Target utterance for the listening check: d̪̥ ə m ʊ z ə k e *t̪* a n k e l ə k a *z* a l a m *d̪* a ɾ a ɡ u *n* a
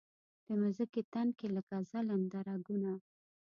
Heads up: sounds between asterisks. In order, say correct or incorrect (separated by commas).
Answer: correct, correct, correct, correct